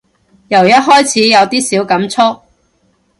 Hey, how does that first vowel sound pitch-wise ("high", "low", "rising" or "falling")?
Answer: low